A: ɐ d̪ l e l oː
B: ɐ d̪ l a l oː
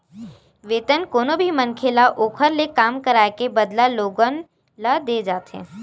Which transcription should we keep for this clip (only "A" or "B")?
B